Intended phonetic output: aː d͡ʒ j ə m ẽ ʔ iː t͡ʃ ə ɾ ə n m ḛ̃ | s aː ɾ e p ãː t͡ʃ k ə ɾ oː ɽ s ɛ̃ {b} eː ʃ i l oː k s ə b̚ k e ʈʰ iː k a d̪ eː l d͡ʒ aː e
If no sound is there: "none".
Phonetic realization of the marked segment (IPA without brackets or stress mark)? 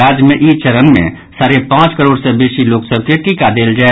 b